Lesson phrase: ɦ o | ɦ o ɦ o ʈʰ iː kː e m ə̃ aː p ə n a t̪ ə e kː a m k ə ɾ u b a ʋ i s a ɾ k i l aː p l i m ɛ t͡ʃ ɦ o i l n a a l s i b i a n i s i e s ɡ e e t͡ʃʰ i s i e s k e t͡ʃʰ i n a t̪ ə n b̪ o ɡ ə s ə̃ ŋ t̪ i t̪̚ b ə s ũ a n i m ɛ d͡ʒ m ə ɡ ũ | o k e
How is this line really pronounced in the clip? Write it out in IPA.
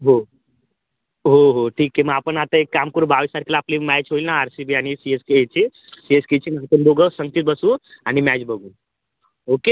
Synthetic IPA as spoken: ɦ o | ɦ o ɦ o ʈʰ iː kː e m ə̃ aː p ə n a t̪ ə e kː a m k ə ɾ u b a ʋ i s a ɾ k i l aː p l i m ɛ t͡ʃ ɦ o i l n a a ɾ s i b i a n i s i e s k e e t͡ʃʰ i s i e s k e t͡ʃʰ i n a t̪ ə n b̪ o ɡ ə s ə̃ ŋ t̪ i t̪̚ b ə s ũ a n i m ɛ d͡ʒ b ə ɡ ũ | o k e